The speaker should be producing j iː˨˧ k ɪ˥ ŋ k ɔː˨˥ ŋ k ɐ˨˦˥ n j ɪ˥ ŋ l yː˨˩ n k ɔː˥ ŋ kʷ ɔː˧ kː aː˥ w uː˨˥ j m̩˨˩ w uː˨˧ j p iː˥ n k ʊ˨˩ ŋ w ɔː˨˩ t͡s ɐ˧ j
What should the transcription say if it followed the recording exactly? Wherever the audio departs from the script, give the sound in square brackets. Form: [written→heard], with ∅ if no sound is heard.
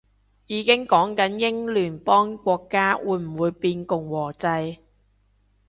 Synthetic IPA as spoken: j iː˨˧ k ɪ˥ ŋ k ɔː˨˥ ŋ k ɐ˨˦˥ n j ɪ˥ ŋ l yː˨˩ n [k→p] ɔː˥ ŋ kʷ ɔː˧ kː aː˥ w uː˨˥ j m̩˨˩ w uː˨˧ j p [iː˥→iː˧] n k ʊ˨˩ ŋ w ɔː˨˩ t͡s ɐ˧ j